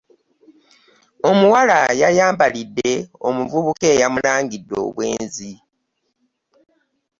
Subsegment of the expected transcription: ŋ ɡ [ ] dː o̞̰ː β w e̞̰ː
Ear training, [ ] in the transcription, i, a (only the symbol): i